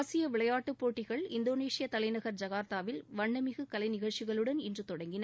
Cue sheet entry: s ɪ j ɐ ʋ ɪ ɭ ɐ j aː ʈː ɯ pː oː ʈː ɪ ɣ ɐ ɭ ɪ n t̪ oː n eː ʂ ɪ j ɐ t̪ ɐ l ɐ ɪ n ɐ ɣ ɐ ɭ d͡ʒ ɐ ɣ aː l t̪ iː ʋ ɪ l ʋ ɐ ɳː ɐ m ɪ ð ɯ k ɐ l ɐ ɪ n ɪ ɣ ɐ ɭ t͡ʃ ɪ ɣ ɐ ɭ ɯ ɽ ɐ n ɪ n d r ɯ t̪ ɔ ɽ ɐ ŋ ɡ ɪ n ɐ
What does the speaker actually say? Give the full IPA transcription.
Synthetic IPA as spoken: s ɪ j ɐ ʋ ɪ ɭ ɐ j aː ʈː ɯ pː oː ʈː ɪ ɣ ɐ ɭ ɪ n d̪ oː n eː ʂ ɪ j ɐ t̪ ɐ l ɐ ɪ n ɐ ɣ ɐ ɾ d͡ʒ ɐ ɣ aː ɾ t̪ aː ʋ ɪ l ʋ ɐ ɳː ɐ m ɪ ɣ ɯ k ɐ l ɐ ɪ n ɪ ɣ ɐ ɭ t͡ʃ ɪ ɣ ɐ ɭ ɯ ɽ ɐ n ɪ n d r ɯ t̪ ɔ ɽ ɐ ŋ ɡ ɪ n ɐ